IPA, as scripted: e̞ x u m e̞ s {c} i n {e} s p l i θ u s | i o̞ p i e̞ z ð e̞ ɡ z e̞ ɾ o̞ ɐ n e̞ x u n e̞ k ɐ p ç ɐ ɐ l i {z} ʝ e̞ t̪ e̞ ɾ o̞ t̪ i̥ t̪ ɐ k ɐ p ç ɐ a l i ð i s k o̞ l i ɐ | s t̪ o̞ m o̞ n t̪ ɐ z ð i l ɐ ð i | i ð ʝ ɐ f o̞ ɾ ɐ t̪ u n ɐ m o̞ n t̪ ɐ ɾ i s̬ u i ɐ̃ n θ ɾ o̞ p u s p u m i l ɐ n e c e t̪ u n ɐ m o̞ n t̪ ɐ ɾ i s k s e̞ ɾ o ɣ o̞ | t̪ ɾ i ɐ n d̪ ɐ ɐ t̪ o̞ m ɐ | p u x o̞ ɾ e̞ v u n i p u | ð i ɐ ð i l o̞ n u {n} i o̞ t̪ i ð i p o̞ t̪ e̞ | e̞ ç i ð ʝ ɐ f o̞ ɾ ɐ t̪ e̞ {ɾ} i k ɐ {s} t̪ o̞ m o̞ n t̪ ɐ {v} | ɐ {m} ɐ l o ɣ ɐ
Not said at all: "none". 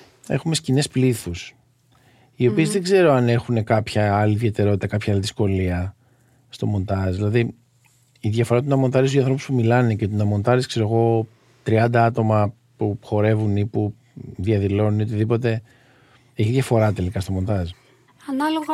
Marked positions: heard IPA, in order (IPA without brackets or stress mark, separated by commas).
c, e, ð, n, l, s, z, n